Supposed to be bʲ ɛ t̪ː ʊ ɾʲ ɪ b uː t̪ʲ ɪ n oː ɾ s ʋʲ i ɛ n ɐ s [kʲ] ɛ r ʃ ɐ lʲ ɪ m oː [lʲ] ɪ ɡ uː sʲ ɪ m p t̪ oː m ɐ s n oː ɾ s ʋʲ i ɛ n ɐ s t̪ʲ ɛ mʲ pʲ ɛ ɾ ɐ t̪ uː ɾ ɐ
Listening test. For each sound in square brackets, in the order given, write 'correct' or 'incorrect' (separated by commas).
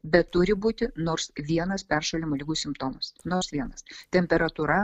incorrect, correct